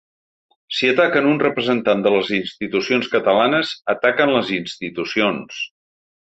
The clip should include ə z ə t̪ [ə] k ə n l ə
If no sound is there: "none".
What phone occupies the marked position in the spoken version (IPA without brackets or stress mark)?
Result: a